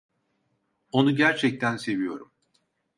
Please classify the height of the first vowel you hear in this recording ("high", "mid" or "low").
mid